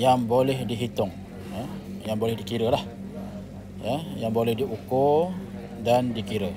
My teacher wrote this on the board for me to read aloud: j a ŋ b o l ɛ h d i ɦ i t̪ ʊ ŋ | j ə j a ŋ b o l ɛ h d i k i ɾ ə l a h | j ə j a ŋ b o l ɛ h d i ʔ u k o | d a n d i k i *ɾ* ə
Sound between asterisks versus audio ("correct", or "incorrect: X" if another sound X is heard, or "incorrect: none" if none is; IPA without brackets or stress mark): correct